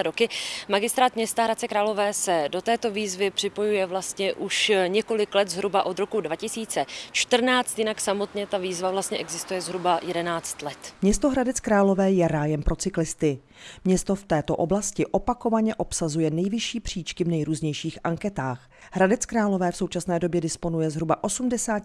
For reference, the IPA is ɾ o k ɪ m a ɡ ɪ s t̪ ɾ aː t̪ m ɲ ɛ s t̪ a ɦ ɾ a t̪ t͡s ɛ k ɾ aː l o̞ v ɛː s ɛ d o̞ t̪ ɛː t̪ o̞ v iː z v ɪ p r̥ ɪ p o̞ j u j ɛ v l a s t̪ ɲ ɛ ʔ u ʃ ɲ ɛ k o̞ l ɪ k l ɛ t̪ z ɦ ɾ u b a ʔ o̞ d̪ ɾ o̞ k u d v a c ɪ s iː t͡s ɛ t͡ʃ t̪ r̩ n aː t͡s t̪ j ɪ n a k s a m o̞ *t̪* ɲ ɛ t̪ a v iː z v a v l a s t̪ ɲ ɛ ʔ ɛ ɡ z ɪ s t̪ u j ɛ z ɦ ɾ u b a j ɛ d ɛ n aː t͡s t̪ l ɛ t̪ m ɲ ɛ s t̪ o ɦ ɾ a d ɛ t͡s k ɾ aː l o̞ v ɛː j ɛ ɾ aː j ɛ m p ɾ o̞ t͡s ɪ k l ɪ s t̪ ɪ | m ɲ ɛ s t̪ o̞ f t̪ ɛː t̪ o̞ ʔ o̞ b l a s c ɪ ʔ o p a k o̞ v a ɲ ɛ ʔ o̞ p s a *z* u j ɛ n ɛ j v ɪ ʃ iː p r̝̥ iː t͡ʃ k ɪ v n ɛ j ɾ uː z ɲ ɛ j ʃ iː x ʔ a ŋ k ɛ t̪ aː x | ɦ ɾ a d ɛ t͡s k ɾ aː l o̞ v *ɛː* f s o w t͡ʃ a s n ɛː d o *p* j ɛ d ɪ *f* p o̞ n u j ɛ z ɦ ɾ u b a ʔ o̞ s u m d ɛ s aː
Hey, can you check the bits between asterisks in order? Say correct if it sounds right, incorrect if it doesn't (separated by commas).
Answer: correct, correct, correct, incorrect, incorrect